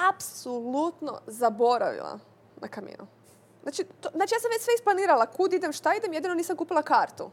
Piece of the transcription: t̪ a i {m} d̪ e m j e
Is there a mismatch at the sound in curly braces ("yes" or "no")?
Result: yes